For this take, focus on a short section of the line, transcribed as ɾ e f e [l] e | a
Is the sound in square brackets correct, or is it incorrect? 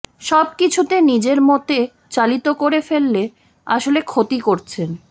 incorrect